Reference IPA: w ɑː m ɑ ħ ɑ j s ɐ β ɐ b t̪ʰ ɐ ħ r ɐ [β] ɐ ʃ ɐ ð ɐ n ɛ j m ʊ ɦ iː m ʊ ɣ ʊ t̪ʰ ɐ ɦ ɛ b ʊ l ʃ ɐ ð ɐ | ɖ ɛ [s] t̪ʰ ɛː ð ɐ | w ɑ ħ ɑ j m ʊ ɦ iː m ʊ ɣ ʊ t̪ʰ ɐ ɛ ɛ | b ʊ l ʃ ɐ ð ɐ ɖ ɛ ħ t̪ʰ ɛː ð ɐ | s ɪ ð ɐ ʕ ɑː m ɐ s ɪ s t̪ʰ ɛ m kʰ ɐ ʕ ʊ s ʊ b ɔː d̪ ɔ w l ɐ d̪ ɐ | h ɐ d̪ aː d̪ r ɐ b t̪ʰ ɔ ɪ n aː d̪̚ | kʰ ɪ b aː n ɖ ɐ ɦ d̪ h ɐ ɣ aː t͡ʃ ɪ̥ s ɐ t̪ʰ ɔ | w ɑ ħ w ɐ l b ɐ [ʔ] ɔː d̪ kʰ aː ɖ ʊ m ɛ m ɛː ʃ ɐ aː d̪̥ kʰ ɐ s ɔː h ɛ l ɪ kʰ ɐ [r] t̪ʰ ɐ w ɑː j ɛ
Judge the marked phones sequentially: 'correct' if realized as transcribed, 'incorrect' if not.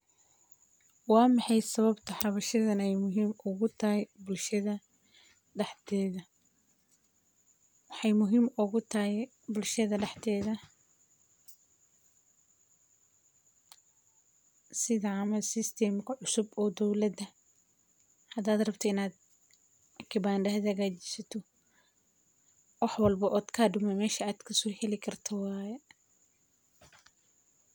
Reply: correct, incorrect, correct, correct

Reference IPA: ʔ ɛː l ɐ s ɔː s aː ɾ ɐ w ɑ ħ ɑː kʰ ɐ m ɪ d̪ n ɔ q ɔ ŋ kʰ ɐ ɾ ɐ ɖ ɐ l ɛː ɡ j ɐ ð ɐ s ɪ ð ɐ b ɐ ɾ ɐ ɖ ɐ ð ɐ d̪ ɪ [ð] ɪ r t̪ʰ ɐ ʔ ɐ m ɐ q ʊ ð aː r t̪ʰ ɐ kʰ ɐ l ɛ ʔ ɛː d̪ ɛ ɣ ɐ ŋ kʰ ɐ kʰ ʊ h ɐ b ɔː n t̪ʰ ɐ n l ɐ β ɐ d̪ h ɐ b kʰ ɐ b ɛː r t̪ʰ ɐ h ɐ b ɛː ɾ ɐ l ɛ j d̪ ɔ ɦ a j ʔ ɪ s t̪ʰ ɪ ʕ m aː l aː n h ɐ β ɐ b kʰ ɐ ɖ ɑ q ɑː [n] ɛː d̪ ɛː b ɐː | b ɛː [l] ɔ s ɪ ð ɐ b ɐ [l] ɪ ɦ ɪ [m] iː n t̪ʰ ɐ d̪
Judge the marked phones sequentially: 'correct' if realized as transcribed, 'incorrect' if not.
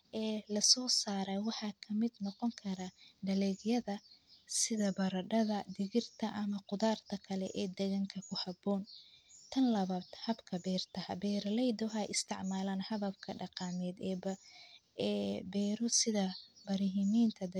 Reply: incorrect, incorrect, incorrect, incorrect, correct

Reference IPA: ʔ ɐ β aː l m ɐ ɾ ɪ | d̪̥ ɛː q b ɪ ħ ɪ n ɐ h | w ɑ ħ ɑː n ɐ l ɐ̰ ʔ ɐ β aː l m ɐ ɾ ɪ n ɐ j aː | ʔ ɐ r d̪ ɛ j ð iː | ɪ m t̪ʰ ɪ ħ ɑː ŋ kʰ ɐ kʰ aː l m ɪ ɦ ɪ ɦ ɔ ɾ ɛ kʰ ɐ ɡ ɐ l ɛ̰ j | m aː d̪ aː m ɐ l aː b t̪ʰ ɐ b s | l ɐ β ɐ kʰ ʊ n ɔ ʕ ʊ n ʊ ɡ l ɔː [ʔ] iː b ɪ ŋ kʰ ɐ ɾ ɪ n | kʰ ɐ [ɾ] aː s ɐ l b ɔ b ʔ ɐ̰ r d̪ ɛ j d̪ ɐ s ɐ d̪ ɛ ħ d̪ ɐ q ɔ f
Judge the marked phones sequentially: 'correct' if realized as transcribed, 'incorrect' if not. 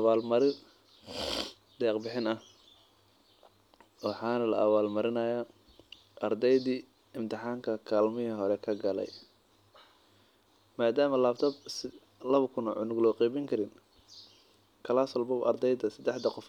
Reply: incorrect, incorrect

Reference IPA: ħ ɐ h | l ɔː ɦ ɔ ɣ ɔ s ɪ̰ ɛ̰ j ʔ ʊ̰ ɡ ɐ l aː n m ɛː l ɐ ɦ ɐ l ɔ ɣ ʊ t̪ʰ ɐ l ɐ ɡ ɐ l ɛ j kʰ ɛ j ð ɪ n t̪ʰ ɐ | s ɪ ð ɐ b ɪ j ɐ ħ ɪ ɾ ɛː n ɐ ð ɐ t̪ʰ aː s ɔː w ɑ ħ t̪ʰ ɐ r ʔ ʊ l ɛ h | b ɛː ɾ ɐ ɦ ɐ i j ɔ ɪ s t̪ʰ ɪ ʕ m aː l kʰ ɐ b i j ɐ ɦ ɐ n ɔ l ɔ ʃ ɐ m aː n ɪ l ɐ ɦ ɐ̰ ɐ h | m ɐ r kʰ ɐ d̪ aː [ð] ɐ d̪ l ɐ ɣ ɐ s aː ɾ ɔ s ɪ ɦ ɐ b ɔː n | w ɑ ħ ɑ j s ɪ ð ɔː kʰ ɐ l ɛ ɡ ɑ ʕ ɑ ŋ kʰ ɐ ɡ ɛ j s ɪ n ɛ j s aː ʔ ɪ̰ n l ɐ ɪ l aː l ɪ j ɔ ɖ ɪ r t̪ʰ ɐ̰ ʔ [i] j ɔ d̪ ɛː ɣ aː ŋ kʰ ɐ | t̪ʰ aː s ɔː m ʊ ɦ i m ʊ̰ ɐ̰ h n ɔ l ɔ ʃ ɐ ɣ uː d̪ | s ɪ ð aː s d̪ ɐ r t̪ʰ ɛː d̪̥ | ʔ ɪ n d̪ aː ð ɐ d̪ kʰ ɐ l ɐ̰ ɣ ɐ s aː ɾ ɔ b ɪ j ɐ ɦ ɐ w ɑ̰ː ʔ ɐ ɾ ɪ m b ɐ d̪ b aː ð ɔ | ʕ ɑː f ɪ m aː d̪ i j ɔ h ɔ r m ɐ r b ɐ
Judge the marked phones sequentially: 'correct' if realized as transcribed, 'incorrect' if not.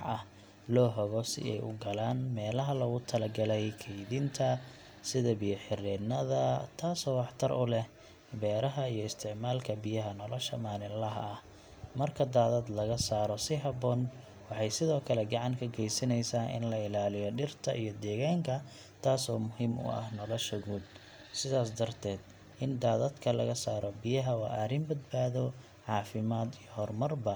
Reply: correct, correct

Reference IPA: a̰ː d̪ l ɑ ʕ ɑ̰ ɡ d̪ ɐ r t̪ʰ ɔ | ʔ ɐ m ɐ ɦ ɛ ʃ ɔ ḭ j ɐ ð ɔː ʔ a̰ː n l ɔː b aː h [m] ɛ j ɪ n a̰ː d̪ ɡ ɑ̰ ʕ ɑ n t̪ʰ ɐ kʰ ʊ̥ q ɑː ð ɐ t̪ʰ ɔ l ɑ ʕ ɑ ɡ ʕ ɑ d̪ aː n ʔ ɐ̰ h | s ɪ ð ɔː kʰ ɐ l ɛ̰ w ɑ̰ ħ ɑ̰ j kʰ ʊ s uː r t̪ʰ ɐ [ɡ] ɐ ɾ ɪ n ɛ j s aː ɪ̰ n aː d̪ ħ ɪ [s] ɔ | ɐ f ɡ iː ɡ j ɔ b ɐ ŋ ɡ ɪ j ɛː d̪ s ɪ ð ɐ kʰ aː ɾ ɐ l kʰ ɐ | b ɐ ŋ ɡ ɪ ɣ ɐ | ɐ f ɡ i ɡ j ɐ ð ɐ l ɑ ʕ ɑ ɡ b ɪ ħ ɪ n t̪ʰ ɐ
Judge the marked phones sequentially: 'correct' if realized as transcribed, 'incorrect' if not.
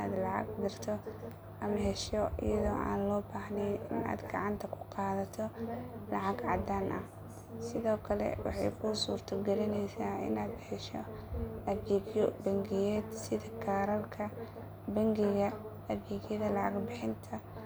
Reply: incorrect, correct, incorrect

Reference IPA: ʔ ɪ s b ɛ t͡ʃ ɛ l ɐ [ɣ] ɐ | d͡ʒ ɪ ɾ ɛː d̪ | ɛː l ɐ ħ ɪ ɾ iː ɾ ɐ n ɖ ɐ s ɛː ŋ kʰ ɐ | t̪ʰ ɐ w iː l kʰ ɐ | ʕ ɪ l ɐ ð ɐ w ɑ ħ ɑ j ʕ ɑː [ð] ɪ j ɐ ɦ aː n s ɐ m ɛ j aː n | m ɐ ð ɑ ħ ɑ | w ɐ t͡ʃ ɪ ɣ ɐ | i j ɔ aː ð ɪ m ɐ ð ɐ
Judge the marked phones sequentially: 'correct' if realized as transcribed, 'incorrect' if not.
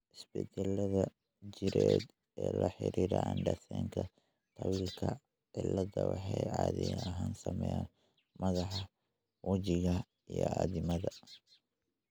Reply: incorrect, correct

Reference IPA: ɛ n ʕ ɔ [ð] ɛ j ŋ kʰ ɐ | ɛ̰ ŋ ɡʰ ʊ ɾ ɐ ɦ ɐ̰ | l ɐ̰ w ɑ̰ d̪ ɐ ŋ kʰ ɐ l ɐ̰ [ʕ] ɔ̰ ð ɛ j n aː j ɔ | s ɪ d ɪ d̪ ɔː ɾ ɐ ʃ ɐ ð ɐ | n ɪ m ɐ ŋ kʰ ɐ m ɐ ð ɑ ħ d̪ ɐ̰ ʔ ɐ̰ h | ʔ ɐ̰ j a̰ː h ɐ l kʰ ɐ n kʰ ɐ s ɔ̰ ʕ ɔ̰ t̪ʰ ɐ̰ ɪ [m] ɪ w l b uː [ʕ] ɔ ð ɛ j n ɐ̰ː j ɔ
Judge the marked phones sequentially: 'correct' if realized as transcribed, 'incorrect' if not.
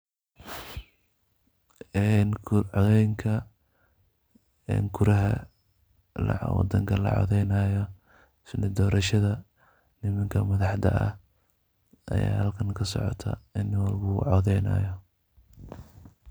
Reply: correct, correct, incorrect, correct

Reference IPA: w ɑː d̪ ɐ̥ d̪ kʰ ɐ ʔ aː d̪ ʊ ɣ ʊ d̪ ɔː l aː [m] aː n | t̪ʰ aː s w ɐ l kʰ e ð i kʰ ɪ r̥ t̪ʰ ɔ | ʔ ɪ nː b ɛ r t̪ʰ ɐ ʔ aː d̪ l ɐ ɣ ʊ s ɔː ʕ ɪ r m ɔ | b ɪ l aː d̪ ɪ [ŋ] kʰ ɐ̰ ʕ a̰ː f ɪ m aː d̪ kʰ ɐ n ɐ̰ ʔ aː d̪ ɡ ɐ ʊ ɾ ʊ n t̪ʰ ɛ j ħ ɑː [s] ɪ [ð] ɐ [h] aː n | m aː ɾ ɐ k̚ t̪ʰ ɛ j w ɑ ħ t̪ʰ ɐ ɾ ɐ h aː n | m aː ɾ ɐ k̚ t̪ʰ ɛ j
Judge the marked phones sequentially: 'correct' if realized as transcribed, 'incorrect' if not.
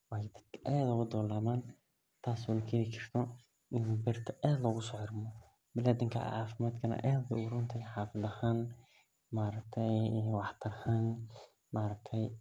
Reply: correct, correct, incorrect, correct, correct

